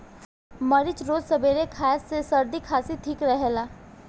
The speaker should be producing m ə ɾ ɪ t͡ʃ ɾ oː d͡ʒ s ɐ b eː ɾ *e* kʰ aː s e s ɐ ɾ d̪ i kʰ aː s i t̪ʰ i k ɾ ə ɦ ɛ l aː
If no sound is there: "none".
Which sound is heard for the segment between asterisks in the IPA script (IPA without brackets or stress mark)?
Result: e